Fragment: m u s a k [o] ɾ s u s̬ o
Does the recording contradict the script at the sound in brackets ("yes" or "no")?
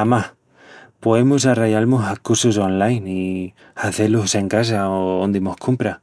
yes